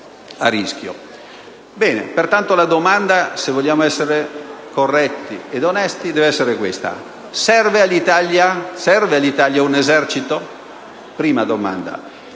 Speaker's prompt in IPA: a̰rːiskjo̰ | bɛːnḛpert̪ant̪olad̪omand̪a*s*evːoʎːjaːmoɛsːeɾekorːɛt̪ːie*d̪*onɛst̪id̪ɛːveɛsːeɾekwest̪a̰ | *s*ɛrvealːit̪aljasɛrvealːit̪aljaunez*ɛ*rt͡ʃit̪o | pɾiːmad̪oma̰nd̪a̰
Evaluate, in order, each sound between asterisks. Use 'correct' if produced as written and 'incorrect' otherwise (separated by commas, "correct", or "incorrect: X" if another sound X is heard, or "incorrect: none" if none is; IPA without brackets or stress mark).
correct, correct, correct, correct